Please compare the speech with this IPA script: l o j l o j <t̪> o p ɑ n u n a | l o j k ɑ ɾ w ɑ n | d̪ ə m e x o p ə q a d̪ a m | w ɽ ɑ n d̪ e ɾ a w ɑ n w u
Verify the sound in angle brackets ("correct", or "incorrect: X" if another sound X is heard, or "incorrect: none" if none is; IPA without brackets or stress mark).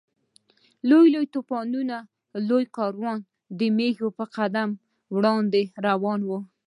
correct